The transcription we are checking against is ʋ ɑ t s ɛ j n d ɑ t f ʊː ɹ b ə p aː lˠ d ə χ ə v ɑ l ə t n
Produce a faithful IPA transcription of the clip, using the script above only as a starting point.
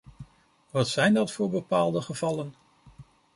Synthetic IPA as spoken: ʋ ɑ t s ɛ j n d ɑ t f ʊː ɹ b ə p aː lˠ d ə χ ə v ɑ l ə n